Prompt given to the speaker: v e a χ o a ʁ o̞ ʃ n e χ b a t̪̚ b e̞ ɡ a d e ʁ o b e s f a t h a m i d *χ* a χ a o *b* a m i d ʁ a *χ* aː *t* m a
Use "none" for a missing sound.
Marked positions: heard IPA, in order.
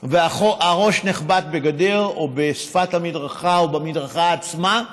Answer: ʁ, b, χ, t͡s

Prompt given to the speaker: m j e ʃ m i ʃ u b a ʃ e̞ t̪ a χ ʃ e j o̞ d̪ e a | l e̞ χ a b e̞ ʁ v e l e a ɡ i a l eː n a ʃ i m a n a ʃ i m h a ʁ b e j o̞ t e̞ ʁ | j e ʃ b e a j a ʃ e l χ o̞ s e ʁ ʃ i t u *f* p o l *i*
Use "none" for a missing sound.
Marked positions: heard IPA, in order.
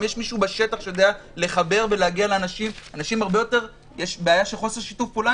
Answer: f, a

